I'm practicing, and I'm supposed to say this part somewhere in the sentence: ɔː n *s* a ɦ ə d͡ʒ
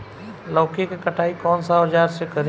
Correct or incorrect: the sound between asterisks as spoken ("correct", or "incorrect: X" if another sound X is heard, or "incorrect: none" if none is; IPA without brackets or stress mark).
correct